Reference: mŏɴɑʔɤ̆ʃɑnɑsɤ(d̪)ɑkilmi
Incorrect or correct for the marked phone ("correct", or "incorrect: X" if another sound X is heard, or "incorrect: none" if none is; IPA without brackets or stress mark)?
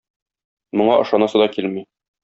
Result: correct